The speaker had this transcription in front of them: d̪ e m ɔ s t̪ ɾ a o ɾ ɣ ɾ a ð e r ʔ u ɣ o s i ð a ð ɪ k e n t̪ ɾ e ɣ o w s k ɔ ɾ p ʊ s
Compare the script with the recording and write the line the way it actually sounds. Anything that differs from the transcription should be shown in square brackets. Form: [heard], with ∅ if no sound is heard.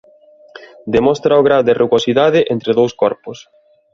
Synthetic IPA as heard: d̪ e m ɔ s t̪ ɾ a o [∅] ɣ ɾ a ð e r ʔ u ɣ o s i ð a ð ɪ [ʔ] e n t̪ ɾ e [ð] o w s k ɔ ɾ p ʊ s